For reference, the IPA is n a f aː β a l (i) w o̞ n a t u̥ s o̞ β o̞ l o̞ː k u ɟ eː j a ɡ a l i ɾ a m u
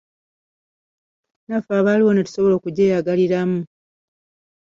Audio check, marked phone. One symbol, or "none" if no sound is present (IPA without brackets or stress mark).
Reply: i